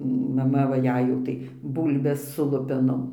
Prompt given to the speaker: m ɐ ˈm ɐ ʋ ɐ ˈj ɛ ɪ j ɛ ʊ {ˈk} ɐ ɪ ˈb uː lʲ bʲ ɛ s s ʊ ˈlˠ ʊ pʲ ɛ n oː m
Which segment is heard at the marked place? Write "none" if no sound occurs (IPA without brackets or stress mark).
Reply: t